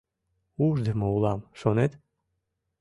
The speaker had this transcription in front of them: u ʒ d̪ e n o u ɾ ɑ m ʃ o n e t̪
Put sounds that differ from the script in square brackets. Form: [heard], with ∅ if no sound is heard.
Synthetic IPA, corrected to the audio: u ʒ d̪ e [m] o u [l] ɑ m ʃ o n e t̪